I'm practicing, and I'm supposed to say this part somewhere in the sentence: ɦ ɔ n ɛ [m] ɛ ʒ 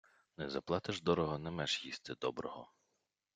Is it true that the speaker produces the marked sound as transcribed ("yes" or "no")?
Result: yes